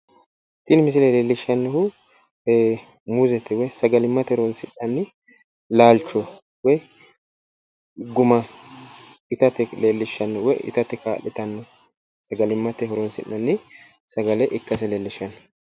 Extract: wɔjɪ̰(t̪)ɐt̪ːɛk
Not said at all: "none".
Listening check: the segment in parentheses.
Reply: t̪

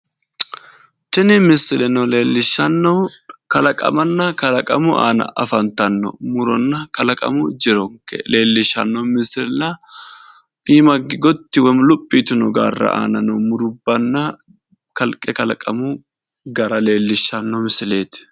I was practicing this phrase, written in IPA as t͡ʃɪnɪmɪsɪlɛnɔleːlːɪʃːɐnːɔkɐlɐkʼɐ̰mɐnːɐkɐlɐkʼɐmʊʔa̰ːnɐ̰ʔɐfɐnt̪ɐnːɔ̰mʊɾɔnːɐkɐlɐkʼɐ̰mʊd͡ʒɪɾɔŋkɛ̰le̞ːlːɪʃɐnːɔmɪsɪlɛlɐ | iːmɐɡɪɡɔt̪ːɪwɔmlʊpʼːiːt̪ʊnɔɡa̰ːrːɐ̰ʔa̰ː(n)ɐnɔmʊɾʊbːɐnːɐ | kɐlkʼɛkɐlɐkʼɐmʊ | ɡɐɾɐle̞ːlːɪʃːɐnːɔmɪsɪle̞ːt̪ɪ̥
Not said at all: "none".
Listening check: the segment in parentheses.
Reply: n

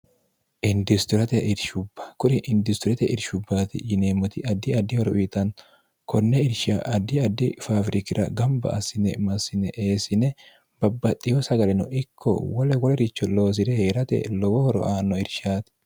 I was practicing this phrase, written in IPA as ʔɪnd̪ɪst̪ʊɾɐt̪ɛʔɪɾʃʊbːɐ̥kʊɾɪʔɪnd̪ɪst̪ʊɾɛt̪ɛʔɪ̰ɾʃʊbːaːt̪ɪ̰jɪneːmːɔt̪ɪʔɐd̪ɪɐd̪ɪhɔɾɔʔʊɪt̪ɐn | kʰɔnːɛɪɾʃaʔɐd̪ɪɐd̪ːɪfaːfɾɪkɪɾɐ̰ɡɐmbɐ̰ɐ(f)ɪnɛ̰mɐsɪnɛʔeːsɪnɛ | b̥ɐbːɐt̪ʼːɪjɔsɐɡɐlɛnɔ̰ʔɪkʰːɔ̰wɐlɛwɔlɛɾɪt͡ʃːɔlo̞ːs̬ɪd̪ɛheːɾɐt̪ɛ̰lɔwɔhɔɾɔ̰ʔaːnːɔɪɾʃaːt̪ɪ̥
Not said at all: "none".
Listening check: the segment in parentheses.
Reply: s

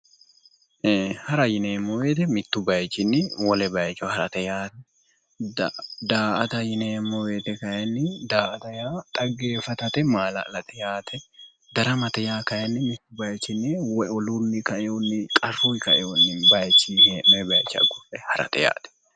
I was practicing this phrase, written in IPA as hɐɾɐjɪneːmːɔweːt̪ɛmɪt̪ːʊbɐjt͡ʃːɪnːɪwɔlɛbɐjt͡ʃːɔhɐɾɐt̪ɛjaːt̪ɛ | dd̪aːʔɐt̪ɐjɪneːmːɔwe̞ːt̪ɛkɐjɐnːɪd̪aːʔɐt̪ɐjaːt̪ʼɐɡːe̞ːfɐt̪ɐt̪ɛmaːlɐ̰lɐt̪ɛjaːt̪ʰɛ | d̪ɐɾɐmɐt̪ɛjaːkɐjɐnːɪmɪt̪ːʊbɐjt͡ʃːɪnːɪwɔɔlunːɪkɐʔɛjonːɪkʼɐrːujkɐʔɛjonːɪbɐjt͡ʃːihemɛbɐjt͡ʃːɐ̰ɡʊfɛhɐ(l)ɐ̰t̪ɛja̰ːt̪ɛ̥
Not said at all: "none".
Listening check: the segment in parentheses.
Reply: ɾ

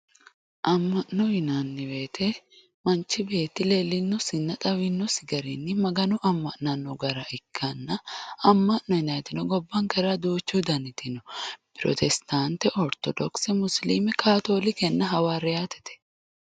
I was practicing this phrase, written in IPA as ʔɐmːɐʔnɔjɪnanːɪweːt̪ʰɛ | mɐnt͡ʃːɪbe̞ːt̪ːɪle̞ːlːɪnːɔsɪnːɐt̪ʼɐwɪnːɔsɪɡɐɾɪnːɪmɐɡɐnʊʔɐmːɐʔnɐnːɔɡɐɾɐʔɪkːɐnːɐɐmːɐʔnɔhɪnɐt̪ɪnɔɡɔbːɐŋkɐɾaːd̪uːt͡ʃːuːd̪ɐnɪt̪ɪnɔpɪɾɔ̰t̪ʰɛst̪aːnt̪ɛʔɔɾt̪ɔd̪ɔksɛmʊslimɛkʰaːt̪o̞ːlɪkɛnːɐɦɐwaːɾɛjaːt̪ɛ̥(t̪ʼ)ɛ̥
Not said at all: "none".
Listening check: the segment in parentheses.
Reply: t̪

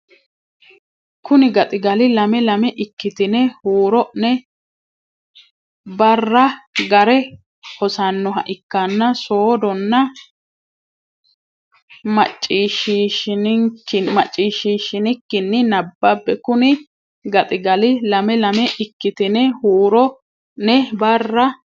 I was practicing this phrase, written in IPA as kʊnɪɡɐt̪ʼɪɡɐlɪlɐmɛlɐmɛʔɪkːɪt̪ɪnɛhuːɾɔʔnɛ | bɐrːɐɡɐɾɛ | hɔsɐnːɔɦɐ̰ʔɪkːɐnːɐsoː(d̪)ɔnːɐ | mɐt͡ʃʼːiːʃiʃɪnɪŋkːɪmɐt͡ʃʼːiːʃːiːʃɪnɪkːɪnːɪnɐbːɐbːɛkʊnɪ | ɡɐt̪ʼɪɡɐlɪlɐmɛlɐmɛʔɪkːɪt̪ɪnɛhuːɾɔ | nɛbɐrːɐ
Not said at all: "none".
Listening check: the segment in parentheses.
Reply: d̪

